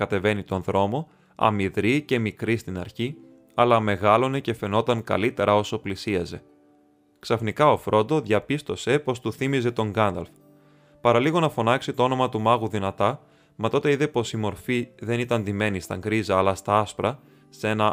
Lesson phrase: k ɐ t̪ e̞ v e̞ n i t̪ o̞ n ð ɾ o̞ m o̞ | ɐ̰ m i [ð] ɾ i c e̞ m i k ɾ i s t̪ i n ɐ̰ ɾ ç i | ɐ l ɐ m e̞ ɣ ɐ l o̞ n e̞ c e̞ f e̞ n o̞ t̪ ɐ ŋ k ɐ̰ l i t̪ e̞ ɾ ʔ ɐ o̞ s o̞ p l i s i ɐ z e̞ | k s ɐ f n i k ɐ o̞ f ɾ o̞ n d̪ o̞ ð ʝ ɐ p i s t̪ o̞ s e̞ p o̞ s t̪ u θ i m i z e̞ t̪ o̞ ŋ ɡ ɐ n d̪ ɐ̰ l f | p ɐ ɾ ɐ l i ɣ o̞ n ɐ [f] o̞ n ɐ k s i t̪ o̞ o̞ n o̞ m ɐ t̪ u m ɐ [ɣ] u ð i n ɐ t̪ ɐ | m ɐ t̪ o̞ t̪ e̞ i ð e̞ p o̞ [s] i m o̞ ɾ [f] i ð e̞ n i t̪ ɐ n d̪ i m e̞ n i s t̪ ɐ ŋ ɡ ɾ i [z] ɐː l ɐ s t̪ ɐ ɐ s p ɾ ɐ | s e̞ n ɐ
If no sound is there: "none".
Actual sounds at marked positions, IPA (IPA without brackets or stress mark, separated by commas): ð, f, ɣ, s, f, z